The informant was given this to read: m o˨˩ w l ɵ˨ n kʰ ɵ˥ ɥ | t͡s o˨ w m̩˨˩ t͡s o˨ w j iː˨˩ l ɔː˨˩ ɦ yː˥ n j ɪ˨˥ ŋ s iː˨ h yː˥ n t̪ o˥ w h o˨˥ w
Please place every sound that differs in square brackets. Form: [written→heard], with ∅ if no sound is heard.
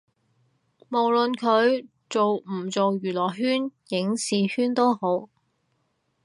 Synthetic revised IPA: m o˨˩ w l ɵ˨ n kʰ [ɵ˥→ɵ˨˧] ɥ | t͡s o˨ w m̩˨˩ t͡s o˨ w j [iː˨˩→yː˨˩] l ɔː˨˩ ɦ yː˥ n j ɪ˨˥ ŋ s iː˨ h yː˥ n t̪ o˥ w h o˨˥ w